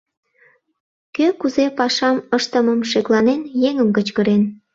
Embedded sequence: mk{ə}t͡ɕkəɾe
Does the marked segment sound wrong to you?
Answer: no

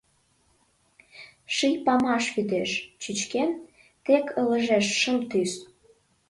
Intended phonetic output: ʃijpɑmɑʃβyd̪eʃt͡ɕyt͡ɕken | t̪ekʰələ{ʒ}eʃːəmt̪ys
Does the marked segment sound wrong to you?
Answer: no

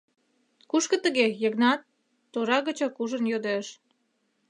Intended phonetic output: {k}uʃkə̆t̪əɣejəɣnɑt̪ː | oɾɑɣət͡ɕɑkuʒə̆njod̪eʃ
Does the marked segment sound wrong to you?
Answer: no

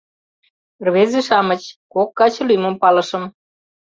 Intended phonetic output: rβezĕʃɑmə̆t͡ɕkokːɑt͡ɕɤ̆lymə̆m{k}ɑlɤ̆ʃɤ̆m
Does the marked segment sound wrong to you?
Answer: yes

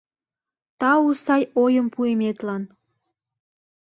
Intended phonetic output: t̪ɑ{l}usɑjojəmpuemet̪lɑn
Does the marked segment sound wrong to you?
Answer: yes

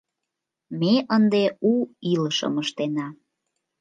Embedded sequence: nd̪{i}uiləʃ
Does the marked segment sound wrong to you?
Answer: yes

